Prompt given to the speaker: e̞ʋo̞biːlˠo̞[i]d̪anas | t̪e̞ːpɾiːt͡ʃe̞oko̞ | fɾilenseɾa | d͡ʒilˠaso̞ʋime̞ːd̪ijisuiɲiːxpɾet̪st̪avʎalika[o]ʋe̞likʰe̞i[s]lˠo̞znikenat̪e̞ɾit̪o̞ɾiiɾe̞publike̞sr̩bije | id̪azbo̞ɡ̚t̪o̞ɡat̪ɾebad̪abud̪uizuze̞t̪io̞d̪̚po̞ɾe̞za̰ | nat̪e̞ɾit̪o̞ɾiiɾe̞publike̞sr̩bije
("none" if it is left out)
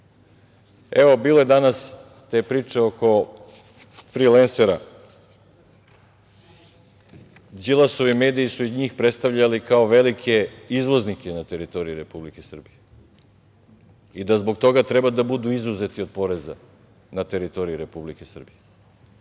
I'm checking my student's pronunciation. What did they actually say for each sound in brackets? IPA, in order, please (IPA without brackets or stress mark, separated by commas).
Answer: e, o, z